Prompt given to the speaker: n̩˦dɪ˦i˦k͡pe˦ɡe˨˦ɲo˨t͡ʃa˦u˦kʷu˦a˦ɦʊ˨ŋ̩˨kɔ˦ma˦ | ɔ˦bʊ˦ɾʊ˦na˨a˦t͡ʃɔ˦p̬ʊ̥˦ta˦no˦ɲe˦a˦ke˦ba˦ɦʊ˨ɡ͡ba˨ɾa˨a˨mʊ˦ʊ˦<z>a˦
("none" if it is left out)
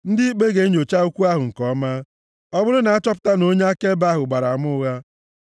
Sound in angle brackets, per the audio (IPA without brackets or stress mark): ɣ